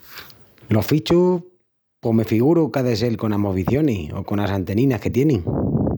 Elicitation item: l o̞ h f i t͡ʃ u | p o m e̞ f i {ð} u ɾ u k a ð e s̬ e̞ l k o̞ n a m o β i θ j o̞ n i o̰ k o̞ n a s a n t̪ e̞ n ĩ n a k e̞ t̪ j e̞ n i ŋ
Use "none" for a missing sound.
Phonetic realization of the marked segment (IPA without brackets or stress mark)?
ɣ